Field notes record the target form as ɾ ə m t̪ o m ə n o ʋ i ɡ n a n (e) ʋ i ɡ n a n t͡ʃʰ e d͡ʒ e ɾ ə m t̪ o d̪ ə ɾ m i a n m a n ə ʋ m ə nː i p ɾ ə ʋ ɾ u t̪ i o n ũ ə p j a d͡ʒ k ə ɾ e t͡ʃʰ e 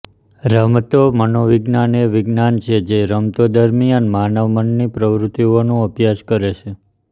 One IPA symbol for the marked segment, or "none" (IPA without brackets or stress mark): e